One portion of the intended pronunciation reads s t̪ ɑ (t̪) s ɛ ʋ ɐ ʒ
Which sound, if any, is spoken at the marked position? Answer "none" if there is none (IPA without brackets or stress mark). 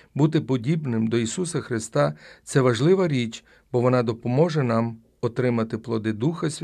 t̪